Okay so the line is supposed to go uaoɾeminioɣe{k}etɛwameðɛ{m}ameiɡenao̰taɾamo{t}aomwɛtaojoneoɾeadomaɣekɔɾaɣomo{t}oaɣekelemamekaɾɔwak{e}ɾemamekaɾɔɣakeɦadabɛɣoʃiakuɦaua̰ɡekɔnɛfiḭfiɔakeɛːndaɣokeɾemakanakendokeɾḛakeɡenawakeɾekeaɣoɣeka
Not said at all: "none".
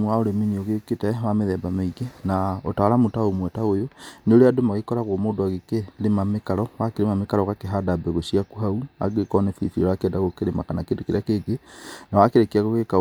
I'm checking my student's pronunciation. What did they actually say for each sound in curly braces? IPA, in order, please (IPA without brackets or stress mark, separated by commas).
k, b, t, d, e